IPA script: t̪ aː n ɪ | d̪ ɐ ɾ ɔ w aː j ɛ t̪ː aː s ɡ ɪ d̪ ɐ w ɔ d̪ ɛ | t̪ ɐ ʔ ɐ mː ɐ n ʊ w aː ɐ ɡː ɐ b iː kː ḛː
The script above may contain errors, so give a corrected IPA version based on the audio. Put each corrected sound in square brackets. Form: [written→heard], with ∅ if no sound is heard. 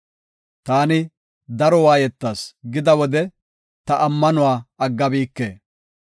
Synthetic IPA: t̪ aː n ɪ | d̪ ɐ ɾ ɔ w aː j ɛ t̪ː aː s ɡ ɪ d̪ ɐ w ɔ d̪ ɛ | t̪ ɐ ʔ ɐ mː ɐ n ʊ w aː ɐ ɡː ɐ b iː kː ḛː